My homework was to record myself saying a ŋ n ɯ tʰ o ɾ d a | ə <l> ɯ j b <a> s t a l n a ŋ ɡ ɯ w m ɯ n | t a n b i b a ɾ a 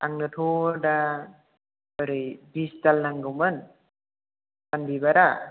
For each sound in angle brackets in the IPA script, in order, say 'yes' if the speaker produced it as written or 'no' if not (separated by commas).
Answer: no, no